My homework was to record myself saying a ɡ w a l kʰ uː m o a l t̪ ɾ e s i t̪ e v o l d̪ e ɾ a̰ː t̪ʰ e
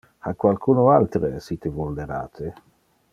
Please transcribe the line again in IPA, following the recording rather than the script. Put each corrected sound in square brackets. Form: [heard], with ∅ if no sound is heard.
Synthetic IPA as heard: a [k] w a l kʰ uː [n] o a l t̪ ɾ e s i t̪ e v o l d̪ e ɾ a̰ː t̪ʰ e